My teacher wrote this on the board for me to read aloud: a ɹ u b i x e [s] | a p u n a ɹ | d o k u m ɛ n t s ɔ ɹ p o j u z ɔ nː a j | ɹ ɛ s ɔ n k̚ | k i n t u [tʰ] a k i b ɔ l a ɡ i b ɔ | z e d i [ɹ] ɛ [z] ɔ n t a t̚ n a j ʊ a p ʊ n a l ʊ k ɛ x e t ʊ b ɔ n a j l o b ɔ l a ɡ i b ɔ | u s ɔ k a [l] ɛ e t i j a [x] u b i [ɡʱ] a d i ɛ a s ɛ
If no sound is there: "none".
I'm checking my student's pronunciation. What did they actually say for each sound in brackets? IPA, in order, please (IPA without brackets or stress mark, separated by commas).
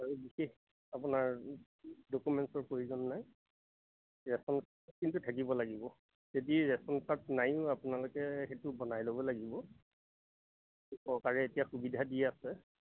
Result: x, tʰ, ɹ, s, ɹ, x, dʱ